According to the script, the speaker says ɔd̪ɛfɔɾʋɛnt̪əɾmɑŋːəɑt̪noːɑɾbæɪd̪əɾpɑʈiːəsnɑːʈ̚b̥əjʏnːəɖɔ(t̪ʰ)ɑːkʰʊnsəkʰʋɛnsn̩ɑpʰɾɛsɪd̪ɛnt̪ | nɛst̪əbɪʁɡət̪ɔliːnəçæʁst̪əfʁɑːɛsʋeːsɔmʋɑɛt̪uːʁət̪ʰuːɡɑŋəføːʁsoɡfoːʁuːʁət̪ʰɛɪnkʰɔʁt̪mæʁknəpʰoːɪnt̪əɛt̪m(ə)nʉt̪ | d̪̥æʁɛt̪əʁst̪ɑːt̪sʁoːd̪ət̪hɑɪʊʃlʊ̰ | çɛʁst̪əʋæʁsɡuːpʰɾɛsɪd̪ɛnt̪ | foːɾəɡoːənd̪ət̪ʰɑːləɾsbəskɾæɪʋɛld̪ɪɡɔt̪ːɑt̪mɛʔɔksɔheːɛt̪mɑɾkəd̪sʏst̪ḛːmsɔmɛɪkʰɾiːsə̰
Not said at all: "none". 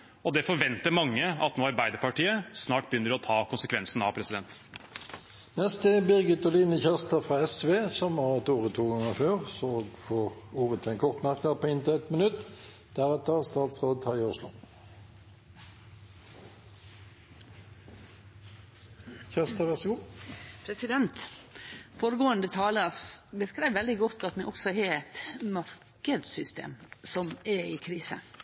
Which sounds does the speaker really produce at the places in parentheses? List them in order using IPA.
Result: t̪ʰ, ə

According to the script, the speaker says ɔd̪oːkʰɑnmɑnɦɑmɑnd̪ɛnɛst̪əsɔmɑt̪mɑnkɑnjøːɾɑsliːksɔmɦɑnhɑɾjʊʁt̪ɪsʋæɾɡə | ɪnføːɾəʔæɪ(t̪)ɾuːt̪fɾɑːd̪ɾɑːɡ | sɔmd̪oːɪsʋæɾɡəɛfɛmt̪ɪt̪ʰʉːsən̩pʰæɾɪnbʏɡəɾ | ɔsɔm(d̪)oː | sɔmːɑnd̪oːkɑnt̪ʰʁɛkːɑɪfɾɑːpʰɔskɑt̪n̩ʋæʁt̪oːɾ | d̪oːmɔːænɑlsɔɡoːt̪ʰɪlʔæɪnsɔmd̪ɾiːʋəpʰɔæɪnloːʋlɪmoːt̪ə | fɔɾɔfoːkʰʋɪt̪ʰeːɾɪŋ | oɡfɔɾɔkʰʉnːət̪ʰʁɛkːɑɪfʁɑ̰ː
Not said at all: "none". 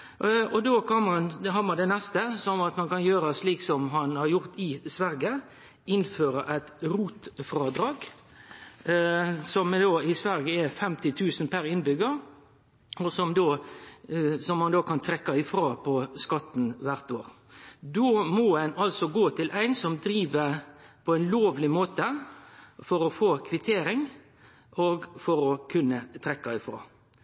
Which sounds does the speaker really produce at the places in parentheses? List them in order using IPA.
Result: t̪, d̪

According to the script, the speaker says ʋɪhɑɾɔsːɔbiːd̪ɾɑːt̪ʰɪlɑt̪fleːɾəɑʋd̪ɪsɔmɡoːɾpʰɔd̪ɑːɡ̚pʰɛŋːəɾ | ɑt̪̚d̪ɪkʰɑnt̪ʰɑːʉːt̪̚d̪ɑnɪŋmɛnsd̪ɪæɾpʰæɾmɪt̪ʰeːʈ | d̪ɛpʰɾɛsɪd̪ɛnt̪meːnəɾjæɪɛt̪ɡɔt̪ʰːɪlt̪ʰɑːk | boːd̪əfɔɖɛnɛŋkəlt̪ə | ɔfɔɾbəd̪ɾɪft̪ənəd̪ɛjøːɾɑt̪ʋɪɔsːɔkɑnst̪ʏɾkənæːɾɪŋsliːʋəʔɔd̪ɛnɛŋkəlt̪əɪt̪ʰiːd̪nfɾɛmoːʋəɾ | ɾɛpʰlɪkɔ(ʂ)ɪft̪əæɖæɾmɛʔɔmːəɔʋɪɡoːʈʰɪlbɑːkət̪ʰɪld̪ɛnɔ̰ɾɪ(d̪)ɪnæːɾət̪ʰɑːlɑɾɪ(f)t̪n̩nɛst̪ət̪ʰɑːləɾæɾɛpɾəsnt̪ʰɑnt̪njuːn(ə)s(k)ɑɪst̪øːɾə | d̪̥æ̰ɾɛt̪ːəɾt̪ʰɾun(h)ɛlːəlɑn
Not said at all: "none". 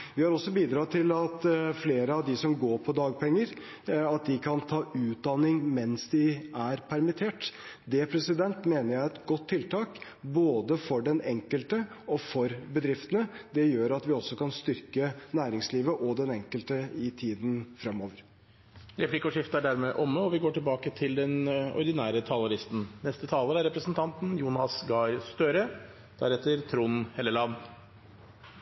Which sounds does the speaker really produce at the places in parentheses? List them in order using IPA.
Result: ʂ, d̪, s, ɑ, ɡ, h

